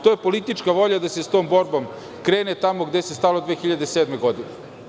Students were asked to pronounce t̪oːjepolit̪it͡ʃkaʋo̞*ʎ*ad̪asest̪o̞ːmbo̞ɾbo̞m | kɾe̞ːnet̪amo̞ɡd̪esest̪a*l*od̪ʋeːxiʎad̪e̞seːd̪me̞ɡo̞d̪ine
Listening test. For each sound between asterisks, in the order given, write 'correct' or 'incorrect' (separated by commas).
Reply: correct, correct